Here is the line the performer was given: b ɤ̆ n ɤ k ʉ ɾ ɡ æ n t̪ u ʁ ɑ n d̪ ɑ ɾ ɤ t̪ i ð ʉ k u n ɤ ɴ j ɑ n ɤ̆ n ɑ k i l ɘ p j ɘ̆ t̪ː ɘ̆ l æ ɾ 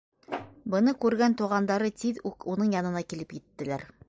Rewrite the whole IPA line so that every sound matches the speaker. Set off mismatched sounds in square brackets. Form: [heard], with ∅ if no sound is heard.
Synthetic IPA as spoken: b ɤ̆ n ɤ k ʉ ɾ ɡ æ n t̪ u ʁ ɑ n d̪ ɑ ɾ ɤ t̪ i ð ʉ k u n ɤ ɴ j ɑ n ɤ̆ n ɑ k i l ɘ p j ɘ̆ t̪ː ɘ̆ l æ ɾ